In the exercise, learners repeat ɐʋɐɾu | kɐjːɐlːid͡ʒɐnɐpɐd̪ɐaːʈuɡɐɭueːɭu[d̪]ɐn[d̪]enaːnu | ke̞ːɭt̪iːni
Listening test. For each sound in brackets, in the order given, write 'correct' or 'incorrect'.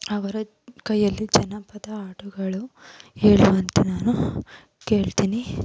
incorrect: none, incorrect: t̪

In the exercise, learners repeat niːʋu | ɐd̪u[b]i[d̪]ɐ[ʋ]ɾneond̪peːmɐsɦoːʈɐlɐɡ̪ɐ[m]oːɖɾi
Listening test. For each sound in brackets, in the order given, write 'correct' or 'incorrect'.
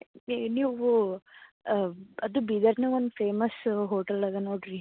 correct, correct, incorrect: none, incorrect: n

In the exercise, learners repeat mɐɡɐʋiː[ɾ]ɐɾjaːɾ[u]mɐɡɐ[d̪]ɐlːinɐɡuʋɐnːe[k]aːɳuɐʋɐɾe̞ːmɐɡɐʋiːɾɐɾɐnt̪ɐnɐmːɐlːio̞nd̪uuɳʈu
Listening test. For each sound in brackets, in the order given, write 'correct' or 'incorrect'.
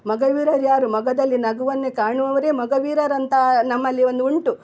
correct, correct, correct, correct

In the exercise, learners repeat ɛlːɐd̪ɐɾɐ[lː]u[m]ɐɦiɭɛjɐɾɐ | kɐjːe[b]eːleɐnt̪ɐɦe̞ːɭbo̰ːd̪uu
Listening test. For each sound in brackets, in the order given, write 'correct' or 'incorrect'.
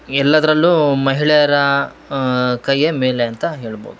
correct, correct, incorrect: m

